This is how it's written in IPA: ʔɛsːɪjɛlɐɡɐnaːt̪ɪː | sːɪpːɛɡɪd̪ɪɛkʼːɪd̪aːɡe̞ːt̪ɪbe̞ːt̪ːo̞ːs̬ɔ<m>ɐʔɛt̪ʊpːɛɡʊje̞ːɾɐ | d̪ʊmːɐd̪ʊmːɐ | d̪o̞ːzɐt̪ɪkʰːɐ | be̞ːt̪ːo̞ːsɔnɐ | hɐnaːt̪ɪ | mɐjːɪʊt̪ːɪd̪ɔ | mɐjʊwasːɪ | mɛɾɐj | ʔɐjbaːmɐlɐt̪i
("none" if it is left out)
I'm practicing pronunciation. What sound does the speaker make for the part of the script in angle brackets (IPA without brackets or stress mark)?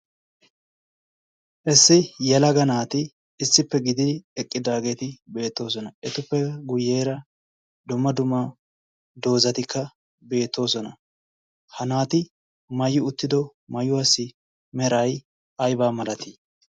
n